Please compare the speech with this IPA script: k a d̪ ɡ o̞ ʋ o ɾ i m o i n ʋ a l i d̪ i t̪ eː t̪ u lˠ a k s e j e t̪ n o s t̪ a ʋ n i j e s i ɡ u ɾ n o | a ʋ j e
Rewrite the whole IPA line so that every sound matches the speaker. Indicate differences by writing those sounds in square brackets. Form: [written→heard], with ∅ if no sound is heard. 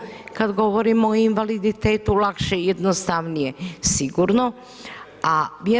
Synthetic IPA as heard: k a d̪ ɡ o̞ ʋ o ɾ i m o i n ʋ a l i d̪ i t̪ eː t̪ u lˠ a k [s→ʃ] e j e [t̪→d̪] n o s t̪ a ʋ n i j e s i ɡ u ɾ n o | a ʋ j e